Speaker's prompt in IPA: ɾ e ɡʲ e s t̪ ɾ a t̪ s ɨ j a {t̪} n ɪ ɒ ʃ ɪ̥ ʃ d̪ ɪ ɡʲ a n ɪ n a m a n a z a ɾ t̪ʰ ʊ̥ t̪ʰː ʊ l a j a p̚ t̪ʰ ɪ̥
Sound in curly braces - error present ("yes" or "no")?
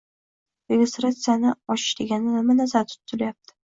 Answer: yes